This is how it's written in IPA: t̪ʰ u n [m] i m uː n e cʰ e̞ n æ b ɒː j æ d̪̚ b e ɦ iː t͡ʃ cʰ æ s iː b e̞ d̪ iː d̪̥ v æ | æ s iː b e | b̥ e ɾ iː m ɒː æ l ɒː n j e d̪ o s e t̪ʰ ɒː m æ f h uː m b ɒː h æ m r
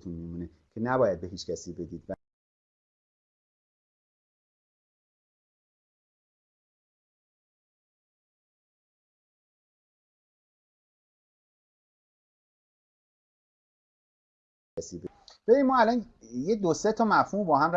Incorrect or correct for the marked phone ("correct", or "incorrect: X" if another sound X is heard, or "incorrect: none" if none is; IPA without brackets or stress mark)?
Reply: correct